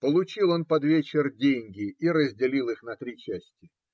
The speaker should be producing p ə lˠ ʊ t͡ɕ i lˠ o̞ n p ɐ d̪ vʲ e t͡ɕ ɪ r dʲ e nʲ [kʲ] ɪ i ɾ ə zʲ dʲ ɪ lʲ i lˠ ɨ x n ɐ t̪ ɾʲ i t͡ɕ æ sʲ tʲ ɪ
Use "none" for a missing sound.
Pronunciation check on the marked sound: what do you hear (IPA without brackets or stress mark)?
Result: ɡʲ